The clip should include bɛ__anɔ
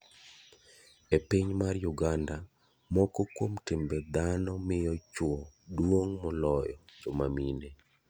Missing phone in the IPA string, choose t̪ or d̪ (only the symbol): d̪